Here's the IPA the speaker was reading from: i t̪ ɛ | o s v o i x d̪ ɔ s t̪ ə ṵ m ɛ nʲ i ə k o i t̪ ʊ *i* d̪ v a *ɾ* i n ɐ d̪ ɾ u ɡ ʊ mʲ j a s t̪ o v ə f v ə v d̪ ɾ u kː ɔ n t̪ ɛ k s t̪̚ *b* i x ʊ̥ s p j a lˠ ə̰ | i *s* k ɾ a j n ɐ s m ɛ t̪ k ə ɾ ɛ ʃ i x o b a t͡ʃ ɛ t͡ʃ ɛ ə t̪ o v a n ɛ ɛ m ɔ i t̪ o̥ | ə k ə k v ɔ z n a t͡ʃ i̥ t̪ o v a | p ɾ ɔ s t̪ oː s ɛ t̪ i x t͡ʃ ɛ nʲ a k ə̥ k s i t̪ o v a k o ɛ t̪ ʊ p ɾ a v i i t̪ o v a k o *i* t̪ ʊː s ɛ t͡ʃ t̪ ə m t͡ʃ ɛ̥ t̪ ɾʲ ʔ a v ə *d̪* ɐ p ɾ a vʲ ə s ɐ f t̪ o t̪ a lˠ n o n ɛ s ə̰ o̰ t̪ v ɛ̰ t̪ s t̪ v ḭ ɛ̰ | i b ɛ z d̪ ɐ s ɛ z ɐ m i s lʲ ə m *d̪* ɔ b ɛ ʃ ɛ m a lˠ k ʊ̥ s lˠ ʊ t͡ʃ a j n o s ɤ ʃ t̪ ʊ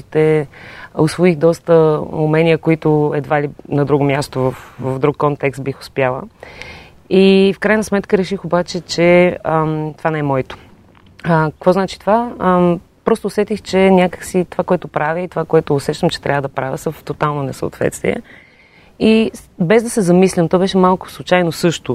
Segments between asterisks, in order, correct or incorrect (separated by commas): incorrect, incorrect, correct, incorrect, incorrect, correct, incorrect